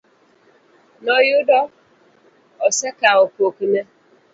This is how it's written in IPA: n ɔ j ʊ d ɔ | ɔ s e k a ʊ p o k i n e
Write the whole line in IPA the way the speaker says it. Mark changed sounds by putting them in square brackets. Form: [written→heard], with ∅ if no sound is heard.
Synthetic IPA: n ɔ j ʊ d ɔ | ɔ s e k a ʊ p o k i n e